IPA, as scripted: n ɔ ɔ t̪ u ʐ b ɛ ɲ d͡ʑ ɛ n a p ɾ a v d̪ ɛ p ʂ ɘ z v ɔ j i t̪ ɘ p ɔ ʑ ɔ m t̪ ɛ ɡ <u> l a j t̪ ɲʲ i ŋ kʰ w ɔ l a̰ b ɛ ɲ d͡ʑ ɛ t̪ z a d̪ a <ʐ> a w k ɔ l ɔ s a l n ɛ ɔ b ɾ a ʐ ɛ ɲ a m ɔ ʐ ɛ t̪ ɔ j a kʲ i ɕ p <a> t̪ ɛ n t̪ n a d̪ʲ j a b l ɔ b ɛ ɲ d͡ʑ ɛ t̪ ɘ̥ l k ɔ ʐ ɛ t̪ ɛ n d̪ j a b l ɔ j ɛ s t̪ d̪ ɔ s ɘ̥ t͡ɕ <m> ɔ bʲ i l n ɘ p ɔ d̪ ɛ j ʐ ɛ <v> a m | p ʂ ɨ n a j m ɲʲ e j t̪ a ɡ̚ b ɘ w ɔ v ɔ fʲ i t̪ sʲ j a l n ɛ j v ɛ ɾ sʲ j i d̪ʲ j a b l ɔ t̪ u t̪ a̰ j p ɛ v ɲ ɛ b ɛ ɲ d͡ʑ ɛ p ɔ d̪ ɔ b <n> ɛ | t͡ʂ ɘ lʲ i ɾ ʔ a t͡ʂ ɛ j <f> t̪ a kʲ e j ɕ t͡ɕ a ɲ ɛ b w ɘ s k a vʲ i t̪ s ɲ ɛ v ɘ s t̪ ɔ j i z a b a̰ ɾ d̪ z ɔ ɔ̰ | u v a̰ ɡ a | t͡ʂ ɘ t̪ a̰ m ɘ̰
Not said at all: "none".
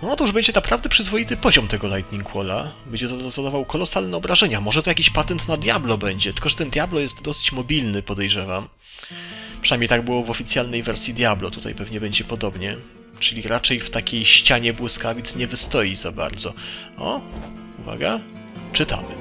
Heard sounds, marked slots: ɔ, v, a, m, v, ɲ, f

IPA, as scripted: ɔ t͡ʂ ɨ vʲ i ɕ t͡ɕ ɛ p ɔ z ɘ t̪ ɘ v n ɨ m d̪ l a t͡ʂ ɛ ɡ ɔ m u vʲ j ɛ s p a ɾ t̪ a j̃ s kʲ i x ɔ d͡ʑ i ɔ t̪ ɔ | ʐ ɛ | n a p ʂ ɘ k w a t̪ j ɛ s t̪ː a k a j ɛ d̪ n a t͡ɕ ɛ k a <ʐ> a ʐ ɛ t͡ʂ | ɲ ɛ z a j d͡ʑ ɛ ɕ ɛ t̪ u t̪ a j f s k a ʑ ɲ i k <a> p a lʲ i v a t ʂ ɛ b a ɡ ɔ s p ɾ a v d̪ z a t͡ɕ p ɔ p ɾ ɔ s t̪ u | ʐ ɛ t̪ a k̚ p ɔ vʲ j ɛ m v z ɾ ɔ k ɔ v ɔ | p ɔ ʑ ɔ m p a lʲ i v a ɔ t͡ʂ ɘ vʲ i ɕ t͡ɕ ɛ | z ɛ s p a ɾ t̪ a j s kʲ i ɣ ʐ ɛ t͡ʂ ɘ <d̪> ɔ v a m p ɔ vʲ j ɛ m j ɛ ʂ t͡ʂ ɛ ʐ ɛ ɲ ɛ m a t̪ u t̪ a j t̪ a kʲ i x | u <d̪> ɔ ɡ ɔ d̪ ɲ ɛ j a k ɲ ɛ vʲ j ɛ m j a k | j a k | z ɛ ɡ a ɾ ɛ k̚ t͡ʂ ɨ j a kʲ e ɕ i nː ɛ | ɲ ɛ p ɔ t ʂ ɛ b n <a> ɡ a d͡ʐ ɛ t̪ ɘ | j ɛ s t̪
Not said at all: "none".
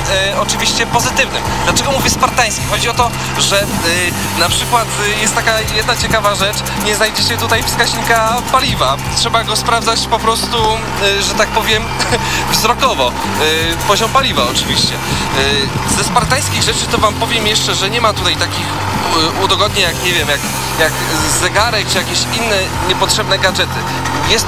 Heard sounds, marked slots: v, a, t̪, d̪, ɛ

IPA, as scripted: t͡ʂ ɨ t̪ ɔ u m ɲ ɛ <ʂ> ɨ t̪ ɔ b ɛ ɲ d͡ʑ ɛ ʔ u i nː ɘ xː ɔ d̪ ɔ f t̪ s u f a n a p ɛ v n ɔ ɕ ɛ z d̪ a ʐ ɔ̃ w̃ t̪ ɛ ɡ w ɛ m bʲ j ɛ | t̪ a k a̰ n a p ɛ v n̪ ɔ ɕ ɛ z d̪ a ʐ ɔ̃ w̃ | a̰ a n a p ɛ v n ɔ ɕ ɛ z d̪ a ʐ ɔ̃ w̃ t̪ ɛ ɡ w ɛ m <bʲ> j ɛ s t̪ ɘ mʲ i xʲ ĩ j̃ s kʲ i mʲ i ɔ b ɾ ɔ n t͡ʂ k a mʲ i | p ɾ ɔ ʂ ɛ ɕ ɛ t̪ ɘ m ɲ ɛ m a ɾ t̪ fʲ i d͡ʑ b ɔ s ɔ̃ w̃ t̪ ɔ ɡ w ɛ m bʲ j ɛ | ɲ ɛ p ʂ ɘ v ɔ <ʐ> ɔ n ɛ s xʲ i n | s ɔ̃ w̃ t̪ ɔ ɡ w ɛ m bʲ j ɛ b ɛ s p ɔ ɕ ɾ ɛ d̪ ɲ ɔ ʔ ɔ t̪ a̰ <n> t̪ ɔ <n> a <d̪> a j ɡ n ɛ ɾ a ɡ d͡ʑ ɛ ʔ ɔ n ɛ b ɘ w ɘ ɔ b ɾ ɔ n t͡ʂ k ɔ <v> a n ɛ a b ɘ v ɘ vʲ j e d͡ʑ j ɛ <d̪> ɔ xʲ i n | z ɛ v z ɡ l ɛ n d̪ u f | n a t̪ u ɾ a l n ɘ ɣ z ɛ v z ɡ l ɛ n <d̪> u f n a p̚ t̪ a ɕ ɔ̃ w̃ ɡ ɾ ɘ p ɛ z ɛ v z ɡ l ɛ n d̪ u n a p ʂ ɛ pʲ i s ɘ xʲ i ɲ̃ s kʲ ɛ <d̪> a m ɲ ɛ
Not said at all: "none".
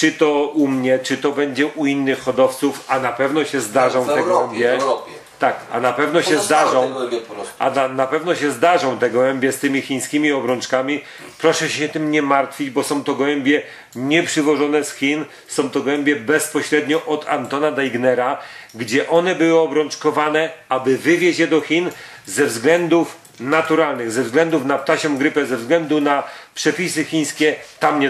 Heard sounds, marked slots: t͡ʂ, bʲ, ʐ, n, n, d̪, v, d̪, d̪, t̪

